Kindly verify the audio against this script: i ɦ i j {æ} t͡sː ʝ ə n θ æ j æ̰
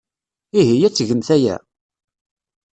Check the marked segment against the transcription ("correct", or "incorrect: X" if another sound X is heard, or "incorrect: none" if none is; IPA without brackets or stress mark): correct